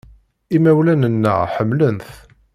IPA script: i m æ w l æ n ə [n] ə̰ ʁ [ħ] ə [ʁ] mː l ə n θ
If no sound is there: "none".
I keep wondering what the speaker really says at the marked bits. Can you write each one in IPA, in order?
nː, ħ, none

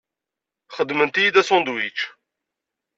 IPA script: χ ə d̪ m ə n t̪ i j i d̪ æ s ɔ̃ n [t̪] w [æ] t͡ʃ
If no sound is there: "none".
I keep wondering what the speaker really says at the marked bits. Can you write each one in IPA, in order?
d̪, i

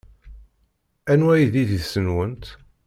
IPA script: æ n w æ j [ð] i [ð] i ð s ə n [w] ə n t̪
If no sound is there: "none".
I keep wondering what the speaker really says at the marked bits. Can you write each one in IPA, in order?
ð, ð, w

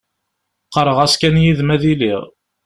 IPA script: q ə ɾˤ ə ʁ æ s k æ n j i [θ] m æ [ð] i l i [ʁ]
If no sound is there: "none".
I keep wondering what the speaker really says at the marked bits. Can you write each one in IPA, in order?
ð, ð, ʁ

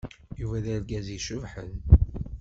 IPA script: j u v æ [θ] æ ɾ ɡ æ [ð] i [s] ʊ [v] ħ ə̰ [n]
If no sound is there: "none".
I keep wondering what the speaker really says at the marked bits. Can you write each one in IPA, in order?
ð, z, ʃ, v, n

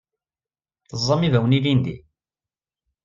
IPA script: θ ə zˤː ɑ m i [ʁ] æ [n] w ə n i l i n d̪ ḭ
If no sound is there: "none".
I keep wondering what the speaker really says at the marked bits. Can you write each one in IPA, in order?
v, none

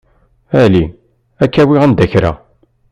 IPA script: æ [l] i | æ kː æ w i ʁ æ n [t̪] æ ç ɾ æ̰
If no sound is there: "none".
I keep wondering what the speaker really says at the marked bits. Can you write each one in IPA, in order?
l, d̪

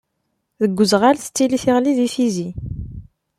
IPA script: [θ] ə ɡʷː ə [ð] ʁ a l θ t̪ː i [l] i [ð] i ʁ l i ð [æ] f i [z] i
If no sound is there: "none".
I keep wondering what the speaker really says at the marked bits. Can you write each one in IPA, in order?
ð, z, l, θ, i, z

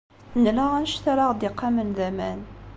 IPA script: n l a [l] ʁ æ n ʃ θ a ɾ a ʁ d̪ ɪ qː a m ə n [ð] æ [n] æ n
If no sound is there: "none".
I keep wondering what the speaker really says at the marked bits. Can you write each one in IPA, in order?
none, ð, m

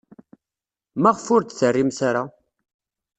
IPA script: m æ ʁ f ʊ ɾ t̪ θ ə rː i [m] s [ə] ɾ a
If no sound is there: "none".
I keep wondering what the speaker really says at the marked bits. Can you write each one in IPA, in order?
m, a

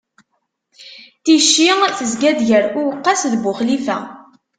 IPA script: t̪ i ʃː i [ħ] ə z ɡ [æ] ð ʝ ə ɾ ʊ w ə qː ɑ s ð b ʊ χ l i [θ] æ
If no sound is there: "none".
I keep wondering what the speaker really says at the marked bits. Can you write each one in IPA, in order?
θ, æ, f

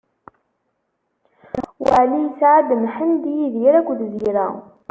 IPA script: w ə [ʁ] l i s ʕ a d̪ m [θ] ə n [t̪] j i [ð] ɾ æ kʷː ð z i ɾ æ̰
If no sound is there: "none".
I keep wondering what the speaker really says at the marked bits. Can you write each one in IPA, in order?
ʕ, ħ, d̪, ð

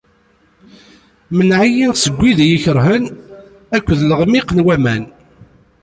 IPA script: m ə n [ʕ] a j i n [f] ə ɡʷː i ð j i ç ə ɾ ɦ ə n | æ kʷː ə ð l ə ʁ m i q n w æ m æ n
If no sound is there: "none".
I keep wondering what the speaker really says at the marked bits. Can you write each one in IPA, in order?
ʕ, s

